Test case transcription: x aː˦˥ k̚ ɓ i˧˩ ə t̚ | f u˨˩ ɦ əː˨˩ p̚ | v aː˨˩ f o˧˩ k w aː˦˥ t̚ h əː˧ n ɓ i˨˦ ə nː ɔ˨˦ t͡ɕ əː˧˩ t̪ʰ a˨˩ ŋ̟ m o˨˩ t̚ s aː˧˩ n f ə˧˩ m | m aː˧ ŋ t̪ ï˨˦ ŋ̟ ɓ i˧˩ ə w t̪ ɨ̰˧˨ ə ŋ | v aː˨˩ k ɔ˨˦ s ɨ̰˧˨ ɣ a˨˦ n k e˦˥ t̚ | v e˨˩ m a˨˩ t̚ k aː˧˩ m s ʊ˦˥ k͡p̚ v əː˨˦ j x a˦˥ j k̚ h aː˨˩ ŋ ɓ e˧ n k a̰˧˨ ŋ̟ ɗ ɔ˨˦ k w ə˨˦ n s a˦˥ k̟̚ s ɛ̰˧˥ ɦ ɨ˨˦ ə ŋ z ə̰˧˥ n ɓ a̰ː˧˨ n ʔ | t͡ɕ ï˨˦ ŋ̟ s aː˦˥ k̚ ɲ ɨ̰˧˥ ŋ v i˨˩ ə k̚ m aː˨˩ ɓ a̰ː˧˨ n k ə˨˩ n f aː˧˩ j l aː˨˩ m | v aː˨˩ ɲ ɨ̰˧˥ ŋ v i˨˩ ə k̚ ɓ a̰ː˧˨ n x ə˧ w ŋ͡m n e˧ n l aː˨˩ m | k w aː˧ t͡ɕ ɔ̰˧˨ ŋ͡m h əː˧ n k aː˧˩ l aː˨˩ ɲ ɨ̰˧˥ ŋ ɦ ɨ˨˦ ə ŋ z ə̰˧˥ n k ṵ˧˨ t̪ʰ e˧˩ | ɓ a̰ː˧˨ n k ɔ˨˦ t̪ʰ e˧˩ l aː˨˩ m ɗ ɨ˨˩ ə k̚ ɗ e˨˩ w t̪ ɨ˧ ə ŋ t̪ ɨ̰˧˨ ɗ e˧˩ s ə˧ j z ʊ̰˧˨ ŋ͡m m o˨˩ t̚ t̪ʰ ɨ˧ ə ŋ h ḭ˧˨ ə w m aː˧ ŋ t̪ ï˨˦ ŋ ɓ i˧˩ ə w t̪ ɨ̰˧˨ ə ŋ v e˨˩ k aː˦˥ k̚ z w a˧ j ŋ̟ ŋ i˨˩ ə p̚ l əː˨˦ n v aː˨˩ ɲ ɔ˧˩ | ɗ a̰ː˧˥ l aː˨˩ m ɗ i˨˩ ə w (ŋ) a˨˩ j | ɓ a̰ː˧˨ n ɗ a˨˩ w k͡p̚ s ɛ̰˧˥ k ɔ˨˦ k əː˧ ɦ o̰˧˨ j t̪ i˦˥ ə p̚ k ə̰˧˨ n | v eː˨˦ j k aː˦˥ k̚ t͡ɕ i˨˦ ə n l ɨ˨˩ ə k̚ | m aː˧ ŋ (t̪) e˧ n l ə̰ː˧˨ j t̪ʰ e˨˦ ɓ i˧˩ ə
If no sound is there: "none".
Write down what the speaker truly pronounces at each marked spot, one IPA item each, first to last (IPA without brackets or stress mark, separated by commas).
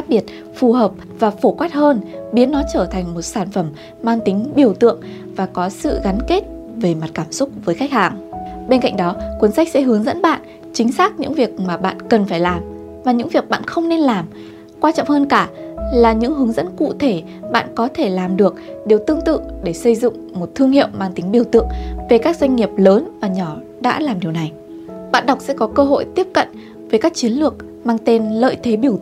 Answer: n, t̪